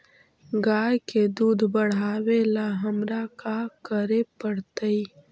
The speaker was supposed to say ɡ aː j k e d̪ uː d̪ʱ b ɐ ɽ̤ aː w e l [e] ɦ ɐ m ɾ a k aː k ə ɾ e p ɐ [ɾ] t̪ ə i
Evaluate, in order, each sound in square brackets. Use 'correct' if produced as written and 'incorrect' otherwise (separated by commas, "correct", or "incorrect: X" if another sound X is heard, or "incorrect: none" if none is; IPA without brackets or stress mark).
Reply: incorrect: a, incorrect: ɽ